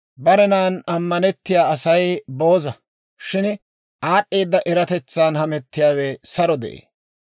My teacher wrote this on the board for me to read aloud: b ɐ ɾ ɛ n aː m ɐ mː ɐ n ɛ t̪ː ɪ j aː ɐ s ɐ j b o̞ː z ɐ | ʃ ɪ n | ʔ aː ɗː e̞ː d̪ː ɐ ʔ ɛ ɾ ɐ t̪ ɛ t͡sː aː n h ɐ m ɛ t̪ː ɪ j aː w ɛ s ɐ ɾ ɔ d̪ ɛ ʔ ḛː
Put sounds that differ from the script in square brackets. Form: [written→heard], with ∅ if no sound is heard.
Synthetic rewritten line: b ɐ ɾ ɛ n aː [m→n] ɐ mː ɐ n ɛ t̪ː ɪ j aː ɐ s ɐ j b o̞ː z ɐ | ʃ ɪ n | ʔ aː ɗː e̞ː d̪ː ɐ ʔ ɛ ɾ ɐ t̪ ɛ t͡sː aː n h ɐ m ɛ t̪ː ɪ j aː w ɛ s ɐ ɾ ɔ d̪ ɛ ʔ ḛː

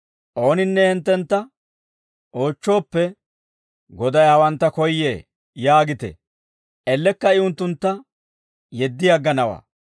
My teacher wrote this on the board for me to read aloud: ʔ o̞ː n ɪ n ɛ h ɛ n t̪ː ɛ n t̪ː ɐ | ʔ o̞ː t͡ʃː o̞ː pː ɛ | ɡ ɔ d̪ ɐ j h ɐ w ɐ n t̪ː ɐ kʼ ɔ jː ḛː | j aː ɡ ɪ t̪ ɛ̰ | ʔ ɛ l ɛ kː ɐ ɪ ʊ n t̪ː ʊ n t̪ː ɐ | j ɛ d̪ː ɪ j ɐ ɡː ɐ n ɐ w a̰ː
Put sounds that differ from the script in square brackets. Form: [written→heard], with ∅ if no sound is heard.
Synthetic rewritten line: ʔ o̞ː n ɪ [n→nː] ɛ h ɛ n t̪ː ɛ n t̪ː ɐ | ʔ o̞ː t͡ʃː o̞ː pː ɛ | ɡ ɔ d̪ ɐ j h ɐ w ɐ n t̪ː ɐ [kʼ→k] ɔ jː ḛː | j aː ɡ ɪ t̪ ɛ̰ | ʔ ɛ [l→lː] ɛ kː ɐ ɪ ʊ n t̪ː ʊ n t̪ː ɐ | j ɛ d̪ː ɪ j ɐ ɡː ɐ n ɐ w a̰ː

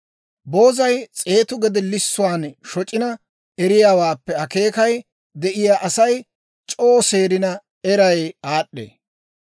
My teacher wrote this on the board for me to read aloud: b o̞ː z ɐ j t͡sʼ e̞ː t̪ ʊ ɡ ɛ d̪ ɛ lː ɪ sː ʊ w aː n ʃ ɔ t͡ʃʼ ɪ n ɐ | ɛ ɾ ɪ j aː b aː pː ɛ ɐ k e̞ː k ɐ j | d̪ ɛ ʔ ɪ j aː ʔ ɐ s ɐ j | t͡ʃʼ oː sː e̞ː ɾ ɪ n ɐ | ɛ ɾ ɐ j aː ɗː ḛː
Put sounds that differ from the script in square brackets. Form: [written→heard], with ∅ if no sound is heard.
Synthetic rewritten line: b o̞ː z ɐ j t͡sʼ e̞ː t̪ ʊ ɡ ɛ d̪ ɛ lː ɪ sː ʊ w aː n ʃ ɔ t͡ʃʼ ɪ n ɐ | ɛ ɾ ɪ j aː [b→w] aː pː ɛ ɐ k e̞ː k ɐ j | d̪ ɛ ʔ ɪ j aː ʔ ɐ s ɐ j | t͡ʃʼ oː [sː→s] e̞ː ɾ ɪ n ɐ | ɛ ɾ ɐ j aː ɗː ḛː

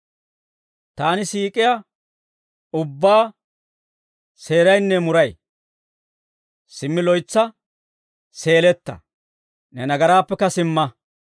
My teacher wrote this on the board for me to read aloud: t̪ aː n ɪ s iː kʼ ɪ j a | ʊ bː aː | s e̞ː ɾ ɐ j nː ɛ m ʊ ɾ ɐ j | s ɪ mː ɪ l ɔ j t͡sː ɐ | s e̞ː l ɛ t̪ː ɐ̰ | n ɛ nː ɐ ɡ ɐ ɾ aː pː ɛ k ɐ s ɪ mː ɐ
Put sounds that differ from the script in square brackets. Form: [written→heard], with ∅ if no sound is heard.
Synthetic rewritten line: t̪ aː n ɪ s iː kʼ ɪ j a | ʊ bː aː | s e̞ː ɾ ɐ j nː ɛ m ʊ ɾ ɐ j | s ɪ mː ɪ l ɔ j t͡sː ɐ | s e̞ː l ɛ t̪ː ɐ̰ | n ɛ [nː→n] ɐ ɡ ɐ ɾ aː pː ɛ k ɐ s ɪ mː ɐ

